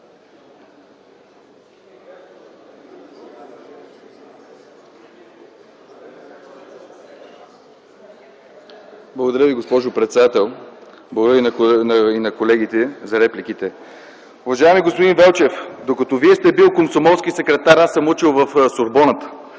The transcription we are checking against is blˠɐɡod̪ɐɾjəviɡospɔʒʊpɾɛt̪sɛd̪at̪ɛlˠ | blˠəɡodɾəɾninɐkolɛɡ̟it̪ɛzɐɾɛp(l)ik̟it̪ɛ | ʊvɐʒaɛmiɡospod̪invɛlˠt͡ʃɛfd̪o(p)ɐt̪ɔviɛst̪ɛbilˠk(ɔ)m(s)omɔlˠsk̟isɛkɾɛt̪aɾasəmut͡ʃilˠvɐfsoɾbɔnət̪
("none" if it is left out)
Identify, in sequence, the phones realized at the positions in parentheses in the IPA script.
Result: l, k, o, s

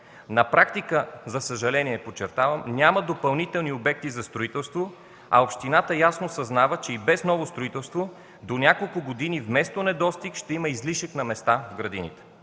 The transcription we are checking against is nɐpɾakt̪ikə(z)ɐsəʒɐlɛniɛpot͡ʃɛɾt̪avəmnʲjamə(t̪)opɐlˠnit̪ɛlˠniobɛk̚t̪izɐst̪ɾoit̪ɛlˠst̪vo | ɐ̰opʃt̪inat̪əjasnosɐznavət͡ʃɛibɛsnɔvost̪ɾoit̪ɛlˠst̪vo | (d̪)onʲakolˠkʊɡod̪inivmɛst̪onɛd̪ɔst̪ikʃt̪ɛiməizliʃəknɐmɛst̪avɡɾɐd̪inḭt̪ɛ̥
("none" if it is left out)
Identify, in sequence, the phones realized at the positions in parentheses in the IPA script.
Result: z, d̪, d̪

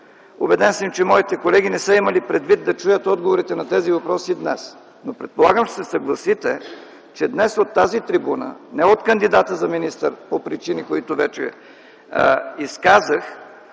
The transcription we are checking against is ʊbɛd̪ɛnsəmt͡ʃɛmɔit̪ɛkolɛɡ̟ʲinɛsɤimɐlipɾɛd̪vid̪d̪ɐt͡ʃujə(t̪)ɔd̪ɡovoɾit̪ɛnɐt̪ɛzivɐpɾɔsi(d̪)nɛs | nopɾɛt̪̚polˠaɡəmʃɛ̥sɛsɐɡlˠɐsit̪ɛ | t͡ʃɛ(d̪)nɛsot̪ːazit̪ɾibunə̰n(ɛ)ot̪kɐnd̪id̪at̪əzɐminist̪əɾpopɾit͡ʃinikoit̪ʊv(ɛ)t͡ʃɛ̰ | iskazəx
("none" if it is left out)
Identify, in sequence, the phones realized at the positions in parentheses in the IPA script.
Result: t̪, d̪, d̪, ɛ, ɛ

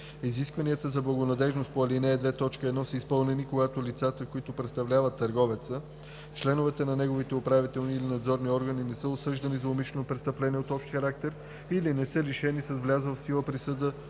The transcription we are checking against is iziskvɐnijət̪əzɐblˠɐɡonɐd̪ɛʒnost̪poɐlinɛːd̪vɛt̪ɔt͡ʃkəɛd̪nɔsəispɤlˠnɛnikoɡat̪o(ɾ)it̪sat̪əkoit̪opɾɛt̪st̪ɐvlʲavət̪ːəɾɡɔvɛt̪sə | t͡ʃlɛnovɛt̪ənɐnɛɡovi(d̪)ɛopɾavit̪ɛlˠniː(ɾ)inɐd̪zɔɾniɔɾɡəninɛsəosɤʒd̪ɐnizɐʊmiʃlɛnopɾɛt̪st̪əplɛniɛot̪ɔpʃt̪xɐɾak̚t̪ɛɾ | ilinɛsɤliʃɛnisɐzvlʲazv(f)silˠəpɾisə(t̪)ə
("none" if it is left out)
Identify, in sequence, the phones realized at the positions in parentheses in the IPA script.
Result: l, t̪, l, f, d̪

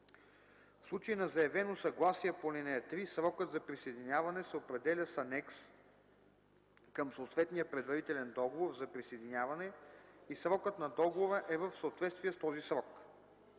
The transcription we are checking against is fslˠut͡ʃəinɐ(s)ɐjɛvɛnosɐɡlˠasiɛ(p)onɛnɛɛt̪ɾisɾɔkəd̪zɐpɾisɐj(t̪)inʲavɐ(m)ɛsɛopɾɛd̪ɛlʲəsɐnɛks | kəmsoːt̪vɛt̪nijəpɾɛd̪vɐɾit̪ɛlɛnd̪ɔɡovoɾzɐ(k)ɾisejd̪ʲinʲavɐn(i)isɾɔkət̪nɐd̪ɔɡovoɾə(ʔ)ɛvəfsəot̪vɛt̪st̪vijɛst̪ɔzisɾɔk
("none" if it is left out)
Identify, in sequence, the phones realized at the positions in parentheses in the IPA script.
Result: z, p, d̪, n, p, ɛ, ʔ

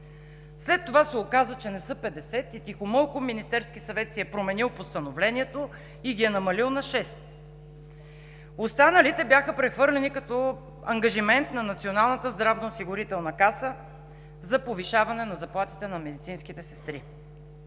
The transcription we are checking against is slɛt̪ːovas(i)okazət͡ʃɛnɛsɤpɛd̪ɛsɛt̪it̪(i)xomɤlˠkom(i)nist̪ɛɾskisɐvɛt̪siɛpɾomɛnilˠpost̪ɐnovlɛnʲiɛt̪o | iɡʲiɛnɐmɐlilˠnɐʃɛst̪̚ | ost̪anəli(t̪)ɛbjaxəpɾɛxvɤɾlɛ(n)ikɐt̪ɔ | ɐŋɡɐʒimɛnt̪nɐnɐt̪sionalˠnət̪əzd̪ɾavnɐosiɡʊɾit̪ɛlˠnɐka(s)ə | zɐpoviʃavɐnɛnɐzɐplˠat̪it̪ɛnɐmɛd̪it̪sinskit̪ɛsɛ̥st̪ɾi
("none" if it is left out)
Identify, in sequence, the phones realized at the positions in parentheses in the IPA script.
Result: ɛ, i, i, t̪, n, s

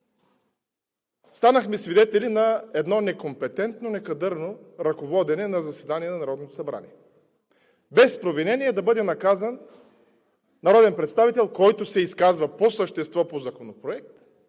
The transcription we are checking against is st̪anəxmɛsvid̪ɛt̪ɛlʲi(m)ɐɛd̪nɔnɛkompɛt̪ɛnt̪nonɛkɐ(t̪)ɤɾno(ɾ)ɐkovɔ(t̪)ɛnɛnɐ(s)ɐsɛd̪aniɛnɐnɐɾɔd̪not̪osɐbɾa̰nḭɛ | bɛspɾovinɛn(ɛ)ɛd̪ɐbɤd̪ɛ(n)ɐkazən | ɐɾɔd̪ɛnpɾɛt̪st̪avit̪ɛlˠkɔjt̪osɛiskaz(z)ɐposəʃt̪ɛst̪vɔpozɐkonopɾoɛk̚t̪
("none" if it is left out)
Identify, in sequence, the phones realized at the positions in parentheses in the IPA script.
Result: n, d̪, ɾ, d̪, z, i, n, v

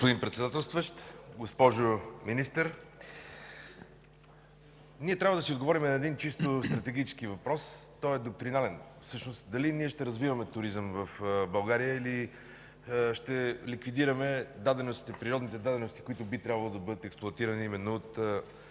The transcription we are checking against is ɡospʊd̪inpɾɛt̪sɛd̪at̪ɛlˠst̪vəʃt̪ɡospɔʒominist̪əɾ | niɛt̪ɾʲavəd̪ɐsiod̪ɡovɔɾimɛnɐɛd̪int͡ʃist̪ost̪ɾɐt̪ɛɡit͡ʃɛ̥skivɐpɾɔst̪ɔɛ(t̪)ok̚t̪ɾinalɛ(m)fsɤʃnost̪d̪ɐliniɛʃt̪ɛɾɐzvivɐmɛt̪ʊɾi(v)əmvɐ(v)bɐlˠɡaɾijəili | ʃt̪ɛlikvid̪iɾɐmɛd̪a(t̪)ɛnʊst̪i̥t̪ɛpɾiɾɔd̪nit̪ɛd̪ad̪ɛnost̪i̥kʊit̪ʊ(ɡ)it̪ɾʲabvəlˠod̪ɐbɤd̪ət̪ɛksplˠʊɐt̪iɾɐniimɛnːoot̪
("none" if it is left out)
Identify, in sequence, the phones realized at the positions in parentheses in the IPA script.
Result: d̪, n, z, f, d̪, b

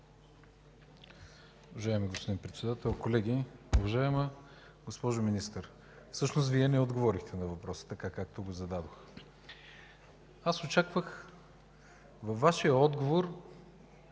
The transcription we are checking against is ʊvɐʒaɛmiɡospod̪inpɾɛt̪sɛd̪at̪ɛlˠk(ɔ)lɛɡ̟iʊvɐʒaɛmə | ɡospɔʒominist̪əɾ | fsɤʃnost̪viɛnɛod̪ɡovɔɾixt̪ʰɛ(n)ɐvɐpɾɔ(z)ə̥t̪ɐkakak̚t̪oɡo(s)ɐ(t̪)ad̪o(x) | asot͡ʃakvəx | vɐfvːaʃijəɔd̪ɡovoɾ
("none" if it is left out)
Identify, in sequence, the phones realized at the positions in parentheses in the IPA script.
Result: o, n, s, z, d̪, x

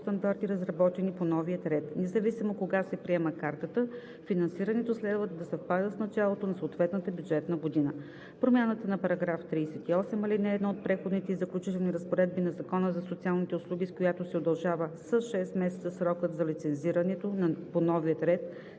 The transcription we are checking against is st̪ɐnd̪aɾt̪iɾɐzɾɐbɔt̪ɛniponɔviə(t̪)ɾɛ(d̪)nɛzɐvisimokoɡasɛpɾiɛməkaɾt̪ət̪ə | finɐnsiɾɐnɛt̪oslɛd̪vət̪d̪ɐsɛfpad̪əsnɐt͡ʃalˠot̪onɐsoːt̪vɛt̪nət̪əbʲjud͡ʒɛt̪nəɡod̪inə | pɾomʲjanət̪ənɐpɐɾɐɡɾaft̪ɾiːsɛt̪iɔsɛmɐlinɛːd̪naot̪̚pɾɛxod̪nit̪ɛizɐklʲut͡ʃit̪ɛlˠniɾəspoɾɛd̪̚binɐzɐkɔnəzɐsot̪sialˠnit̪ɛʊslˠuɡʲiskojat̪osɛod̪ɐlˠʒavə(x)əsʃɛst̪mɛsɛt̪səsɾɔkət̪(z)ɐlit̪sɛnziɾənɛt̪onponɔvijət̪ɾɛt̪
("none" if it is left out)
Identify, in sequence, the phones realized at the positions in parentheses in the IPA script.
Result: t̪, t̪, s, z

